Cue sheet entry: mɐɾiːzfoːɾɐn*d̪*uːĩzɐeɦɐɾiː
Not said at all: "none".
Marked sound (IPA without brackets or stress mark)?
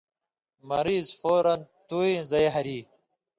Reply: t̪